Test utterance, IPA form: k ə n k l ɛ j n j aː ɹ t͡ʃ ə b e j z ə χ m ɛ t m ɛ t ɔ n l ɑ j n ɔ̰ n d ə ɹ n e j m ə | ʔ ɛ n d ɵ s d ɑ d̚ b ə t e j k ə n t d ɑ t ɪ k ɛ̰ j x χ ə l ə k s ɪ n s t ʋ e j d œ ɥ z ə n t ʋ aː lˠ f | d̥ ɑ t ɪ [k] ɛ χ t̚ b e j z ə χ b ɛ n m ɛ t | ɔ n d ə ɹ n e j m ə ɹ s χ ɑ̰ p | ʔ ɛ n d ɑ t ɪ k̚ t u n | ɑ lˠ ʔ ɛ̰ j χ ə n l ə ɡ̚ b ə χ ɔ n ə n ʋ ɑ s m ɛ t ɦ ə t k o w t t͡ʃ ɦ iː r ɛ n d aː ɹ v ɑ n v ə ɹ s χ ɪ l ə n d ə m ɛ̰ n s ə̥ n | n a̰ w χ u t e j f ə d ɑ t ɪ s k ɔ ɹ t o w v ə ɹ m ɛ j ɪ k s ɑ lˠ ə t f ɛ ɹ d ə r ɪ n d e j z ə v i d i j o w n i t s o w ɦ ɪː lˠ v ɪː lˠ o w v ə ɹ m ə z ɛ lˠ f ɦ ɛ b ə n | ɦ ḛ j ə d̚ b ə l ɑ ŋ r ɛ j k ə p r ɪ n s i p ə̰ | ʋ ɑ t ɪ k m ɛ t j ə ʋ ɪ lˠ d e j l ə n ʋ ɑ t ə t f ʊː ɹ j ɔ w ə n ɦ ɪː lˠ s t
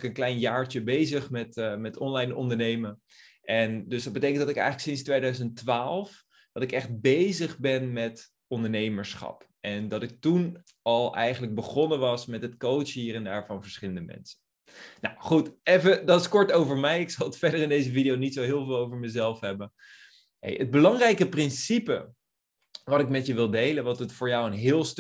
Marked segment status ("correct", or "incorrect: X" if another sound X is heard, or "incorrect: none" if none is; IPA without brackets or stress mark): correct